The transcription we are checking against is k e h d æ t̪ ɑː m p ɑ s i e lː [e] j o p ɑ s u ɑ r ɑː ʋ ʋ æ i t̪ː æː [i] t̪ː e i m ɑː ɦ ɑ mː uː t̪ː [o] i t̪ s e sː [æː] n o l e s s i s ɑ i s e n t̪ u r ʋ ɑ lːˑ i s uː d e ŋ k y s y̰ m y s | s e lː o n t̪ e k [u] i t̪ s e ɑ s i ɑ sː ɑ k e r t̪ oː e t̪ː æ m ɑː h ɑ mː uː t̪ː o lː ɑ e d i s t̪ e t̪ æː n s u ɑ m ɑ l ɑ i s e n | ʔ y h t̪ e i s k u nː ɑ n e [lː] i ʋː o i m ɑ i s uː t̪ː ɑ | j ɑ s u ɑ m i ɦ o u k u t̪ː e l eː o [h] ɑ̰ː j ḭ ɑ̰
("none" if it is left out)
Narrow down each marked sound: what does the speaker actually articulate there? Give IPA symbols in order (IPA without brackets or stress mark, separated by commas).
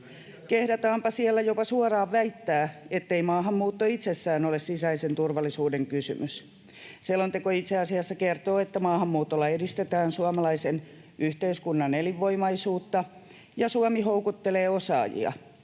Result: æ, e, o, æː, o, l, s